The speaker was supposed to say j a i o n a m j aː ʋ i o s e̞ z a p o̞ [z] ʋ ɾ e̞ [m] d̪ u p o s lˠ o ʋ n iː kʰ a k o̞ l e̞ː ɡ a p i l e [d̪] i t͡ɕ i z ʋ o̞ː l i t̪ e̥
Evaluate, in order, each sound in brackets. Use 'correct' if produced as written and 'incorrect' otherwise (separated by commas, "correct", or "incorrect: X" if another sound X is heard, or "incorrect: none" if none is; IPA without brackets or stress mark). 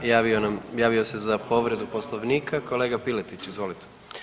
incorrect: none, incorrect: none, incorrect: t̪